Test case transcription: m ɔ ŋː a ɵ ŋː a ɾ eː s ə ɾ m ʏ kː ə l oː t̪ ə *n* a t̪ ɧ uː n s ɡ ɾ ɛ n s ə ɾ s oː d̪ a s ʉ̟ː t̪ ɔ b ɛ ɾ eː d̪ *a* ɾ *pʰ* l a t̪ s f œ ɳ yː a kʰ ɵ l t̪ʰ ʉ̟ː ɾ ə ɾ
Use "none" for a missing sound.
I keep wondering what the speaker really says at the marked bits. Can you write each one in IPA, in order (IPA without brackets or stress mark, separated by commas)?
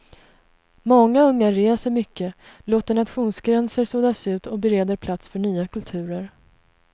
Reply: ɳ, ə, pʰ